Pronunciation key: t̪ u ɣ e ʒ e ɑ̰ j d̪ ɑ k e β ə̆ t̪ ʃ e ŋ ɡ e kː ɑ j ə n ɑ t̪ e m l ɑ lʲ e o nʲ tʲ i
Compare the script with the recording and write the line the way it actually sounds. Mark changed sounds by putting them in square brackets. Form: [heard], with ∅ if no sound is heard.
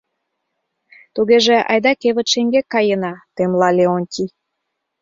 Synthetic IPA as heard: t̪ u ɣ e ʒ e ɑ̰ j d̪ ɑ k e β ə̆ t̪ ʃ e ŋ ɡ e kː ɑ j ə n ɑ t̪ e m l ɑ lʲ e o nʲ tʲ i